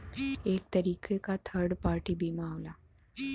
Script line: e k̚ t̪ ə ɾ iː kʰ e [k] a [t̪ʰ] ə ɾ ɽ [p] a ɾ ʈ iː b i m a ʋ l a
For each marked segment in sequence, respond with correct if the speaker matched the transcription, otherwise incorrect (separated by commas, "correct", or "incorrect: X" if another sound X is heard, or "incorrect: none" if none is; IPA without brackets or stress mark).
correct, correct, correct